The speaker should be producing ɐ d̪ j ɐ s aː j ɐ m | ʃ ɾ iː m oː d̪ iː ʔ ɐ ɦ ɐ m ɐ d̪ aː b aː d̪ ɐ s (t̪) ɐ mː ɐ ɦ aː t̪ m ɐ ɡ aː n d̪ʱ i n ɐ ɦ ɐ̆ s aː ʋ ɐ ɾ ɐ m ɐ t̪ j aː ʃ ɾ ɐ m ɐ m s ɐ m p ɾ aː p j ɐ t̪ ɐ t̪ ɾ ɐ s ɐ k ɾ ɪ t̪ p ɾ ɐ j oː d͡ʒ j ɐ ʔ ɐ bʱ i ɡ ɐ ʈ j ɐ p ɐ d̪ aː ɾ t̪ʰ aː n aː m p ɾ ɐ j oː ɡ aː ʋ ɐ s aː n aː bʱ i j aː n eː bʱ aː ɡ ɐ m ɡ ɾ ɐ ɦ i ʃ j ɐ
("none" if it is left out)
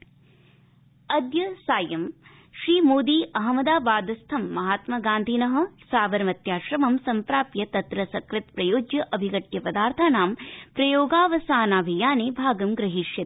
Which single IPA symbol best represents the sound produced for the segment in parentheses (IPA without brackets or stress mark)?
t̪ʰ